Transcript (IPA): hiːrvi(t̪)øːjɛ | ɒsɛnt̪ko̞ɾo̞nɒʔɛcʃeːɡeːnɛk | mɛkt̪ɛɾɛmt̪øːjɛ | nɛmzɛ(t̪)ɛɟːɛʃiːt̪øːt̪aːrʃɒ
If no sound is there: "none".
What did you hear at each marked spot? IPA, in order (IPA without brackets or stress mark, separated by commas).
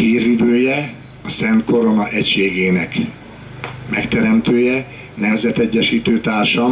d̪, t̪